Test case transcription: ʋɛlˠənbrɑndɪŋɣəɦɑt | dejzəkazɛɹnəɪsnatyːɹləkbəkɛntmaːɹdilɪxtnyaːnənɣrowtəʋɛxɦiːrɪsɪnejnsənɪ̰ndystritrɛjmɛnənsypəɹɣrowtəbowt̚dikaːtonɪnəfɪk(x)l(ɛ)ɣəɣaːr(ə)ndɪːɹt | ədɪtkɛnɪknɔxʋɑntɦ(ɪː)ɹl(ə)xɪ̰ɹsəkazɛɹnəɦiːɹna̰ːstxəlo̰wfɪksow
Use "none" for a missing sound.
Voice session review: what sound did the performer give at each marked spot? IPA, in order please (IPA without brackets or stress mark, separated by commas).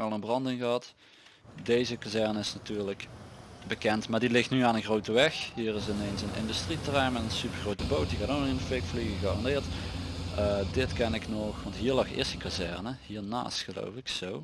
f, i, ɑ, iː, ɑ